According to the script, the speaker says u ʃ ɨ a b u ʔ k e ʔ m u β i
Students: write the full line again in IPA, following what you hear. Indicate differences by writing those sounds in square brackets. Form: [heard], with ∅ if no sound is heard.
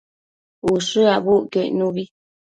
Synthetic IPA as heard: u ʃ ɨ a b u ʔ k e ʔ [n] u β i